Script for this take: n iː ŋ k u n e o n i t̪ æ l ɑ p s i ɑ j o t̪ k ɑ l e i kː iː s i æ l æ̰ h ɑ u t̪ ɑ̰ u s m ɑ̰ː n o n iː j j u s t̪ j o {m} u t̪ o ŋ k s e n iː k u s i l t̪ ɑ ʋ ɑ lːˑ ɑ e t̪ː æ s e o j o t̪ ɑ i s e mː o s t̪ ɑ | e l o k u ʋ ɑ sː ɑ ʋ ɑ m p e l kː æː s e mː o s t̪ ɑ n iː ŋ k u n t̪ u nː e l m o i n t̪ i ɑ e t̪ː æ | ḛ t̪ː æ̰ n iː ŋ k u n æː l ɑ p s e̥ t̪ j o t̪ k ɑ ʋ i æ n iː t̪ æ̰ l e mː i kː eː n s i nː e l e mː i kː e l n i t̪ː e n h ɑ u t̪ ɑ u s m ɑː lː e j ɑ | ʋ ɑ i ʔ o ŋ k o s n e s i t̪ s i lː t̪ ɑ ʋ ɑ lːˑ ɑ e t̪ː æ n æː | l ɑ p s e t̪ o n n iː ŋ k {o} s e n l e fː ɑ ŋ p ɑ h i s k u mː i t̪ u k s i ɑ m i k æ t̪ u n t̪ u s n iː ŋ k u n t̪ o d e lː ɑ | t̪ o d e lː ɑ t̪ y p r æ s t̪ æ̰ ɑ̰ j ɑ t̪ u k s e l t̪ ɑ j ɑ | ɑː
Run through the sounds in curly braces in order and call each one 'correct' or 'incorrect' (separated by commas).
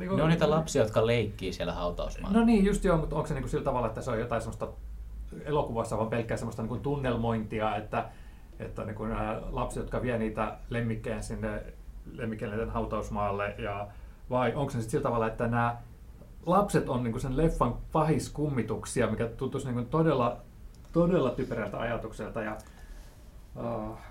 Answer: correct, incorrect